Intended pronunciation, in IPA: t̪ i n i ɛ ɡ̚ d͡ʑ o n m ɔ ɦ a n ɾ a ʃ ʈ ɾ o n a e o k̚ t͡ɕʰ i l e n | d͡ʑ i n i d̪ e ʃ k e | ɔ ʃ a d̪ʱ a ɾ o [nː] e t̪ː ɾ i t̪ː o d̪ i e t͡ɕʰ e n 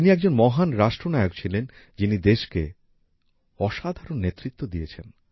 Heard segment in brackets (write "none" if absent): nː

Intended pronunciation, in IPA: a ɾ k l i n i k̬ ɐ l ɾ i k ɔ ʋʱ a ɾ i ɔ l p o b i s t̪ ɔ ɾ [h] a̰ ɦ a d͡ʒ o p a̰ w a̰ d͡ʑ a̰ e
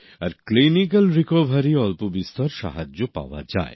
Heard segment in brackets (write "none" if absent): ʃ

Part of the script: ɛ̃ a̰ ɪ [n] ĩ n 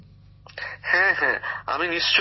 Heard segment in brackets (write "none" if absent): m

